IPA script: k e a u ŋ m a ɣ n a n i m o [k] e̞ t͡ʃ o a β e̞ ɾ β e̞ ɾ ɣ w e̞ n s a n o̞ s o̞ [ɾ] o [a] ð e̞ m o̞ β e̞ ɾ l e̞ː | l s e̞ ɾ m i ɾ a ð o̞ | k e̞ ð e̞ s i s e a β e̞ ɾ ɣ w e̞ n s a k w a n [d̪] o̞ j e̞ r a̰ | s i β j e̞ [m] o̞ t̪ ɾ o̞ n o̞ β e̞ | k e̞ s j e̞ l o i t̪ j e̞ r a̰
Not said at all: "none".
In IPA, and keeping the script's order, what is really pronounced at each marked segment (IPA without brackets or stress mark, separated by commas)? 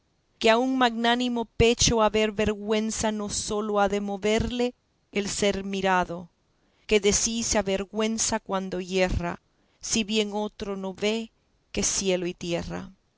p, l, a, d̪, ŋ